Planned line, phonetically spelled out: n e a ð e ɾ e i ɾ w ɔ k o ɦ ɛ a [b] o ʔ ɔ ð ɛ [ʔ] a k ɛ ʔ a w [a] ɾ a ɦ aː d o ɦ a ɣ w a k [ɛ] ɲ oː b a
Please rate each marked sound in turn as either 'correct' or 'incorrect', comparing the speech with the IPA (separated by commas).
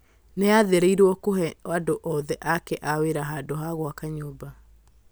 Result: incorrect, correct, incorrect, incorrect